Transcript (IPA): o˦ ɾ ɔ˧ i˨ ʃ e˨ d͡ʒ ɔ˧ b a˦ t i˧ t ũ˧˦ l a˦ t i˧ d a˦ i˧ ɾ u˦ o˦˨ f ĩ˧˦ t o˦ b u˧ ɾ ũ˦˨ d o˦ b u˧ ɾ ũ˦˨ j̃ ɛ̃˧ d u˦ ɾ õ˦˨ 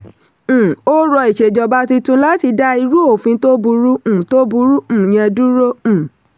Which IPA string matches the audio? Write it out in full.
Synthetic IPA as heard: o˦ ɾ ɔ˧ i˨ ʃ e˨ d͡ʒ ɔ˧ b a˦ t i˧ t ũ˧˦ l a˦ t i˧ d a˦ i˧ ɾ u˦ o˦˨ f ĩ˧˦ t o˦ b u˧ ɾ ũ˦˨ t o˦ b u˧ ɾ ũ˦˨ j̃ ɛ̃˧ d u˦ ɾ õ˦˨